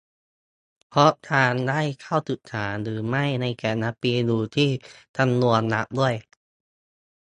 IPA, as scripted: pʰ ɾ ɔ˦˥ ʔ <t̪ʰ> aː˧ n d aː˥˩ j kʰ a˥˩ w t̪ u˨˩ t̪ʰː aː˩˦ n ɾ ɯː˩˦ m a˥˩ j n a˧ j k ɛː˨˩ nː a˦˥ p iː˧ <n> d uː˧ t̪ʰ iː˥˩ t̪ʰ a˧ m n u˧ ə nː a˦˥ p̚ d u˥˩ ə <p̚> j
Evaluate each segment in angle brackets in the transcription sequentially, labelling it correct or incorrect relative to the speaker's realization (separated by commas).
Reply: correct, incorrect, incorrect